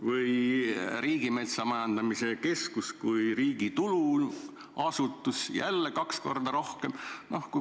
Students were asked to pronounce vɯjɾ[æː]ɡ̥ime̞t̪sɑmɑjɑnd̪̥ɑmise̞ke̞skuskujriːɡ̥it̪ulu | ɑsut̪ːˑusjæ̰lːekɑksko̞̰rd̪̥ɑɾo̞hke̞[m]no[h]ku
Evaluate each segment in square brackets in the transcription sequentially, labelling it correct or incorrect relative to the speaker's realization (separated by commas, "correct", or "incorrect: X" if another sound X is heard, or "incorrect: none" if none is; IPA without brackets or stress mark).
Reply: incorrect: iː, correct, correct